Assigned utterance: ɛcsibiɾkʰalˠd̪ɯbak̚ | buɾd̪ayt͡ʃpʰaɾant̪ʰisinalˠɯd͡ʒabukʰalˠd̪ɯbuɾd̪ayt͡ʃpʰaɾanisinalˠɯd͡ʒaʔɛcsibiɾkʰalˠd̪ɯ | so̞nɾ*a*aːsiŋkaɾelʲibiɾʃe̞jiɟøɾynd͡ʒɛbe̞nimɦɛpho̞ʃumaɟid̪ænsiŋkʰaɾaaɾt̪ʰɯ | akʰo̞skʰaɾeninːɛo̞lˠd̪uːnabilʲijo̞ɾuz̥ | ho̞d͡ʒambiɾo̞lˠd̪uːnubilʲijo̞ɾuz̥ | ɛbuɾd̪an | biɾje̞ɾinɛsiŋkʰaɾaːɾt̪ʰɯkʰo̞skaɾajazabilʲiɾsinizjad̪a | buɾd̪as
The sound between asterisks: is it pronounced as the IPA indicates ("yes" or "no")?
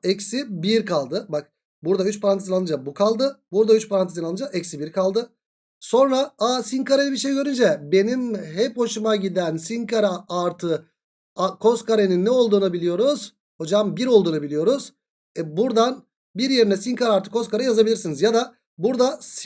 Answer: yes